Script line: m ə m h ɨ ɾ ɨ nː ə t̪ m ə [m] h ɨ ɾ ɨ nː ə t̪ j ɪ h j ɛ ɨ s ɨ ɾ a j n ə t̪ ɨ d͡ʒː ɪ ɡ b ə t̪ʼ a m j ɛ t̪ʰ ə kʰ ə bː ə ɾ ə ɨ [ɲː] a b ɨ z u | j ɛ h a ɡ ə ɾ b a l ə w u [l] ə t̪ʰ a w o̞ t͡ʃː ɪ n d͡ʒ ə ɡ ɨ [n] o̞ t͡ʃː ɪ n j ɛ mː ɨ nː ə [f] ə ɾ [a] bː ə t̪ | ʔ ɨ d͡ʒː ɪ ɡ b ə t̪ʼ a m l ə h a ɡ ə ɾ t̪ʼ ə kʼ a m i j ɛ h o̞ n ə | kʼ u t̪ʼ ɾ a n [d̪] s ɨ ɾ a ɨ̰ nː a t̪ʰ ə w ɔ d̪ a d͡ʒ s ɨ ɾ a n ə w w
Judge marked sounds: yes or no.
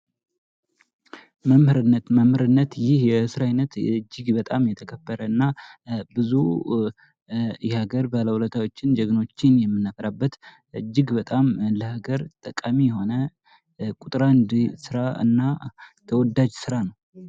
yes, no, yes, yes, yes, yes, yes

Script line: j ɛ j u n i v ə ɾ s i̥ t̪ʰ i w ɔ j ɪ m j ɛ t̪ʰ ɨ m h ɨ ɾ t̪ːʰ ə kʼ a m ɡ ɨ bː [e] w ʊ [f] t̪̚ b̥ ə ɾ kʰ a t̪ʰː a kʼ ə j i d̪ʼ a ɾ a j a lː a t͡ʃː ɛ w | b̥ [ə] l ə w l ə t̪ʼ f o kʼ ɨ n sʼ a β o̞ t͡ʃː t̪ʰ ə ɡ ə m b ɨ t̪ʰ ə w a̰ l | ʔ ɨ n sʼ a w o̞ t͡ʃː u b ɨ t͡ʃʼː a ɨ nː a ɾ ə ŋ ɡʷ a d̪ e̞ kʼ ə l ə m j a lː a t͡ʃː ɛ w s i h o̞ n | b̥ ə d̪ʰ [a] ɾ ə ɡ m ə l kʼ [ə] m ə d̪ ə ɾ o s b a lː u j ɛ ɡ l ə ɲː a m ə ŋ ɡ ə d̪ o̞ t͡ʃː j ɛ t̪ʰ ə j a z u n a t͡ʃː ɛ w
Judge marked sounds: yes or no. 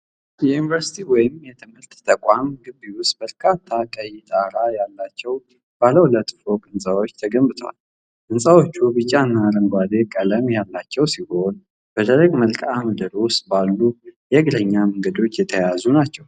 no, no, no, no, no

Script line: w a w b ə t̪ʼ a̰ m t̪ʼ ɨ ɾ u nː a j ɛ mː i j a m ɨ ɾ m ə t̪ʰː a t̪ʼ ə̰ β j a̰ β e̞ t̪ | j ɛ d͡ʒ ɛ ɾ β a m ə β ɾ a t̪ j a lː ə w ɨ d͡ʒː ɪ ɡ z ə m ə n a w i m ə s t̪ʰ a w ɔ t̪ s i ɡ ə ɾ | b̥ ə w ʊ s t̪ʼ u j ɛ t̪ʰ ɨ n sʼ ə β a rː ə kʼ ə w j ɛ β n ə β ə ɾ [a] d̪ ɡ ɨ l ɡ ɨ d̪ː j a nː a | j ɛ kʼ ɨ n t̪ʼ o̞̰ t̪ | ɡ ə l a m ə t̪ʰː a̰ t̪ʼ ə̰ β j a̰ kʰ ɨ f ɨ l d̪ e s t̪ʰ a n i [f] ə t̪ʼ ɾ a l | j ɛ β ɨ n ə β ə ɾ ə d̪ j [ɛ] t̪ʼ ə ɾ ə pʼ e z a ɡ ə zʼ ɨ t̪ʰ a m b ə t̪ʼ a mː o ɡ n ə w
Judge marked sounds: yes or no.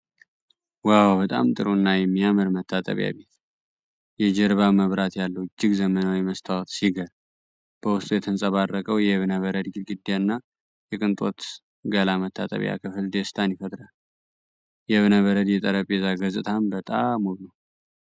no, yes, yes

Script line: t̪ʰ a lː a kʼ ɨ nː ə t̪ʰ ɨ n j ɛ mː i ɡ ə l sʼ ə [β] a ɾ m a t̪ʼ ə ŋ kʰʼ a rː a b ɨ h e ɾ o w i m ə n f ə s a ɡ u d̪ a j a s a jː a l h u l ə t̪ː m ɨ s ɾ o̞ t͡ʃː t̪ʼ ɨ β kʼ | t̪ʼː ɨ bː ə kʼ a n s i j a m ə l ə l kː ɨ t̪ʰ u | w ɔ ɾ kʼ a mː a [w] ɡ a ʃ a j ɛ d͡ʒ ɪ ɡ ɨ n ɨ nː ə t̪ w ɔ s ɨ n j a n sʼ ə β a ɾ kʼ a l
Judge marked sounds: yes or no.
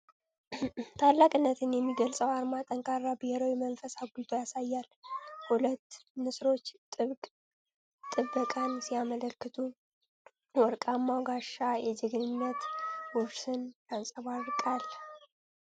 no, yes

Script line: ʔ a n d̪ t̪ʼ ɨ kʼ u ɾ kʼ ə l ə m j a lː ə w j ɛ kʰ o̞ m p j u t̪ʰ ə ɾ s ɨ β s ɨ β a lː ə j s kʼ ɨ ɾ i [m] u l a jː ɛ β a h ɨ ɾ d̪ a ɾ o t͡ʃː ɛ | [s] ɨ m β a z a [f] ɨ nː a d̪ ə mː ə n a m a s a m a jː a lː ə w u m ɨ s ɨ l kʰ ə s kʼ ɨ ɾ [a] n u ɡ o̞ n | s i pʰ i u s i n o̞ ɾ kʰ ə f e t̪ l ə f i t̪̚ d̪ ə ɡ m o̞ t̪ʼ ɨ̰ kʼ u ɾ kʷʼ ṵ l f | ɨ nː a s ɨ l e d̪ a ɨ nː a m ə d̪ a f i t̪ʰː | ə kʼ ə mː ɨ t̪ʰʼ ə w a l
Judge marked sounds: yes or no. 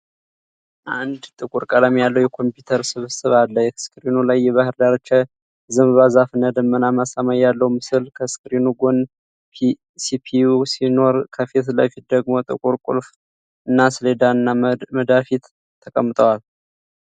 no, no, yes, no

